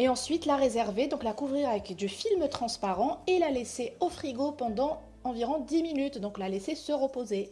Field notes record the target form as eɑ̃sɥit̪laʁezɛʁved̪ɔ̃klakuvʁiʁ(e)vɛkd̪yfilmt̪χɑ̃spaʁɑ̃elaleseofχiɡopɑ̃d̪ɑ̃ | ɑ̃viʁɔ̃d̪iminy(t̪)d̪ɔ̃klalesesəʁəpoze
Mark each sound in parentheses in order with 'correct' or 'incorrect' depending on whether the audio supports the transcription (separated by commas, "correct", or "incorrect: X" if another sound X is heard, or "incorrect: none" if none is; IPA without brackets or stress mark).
incorrect: a, correct